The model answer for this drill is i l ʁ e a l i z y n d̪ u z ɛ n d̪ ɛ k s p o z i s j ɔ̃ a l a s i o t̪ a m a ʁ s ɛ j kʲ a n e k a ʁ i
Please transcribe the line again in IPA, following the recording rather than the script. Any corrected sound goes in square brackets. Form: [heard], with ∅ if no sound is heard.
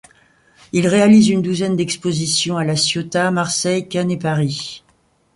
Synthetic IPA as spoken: i l ʁ e a l i z y n d̪ u z ɛ n d̪ ɛ k s p o z i s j ɔ̃ a l a s [j] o t̪ a m a ʁ s ɛ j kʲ a n e [p] a ʁ i